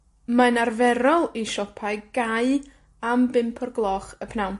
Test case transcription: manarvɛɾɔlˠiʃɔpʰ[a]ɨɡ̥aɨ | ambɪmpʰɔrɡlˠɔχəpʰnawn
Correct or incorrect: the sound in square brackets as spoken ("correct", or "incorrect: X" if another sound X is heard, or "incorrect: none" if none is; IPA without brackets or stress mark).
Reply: correct